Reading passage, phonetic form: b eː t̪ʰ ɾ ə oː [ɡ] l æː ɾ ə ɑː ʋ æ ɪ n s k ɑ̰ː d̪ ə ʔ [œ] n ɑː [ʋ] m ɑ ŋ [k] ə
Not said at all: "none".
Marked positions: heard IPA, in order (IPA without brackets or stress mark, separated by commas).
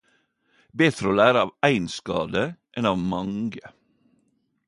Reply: none, ɛ, ʋ, ɡ